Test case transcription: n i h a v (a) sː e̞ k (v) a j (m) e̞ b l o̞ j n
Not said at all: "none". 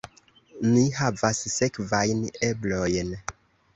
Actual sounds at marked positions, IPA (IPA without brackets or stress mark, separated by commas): a, v, n